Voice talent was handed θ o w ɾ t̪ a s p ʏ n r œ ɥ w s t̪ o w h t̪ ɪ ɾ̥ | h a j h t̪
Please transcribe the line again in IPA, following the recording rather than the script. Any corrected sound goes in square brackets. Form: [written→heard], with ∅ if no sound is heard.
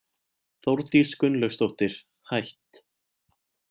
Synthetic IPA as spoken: θ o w ɾ t̪ [a→i] s [p→k] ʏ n [r→l] œ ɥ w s t̪ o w h t̪ ɪ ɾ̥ | h a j h t̪